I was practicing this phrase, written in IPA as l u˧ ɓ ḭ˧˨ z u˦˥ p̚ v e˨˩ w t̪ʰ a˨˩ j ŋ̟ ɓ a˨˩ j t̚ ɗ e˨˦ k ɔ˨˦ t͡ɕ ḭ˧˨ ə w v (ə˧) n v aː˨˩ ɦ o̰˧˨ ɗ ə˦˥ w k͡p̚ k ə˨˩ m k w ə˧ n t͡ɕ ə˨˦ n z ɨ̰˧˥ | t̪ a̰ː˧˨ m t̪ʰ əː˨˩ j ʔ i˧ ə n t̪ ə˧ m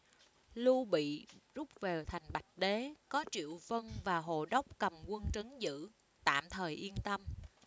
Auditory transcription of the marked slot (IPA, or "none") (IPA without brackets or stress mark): ə˧